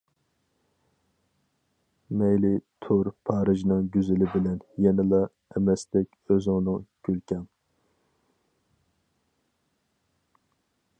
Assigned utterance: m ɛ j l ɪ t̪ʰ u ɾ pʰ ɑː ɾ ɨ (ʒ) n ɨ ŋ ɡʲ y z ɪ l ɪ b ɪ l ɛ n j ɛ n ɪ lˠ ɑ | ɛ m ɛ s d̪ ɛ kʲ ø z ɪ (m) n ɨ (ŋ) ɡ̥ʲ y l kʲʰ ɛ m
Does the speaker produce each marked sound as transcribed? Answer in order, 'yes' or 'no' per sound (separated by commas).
yes, no, yes